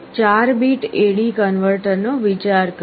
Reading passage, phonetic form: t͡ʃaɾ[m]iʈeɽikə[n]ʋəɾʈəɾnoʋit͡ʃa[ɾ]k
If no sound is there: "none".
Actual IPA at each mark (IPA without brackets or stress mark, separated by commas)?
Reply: b, n, ɾ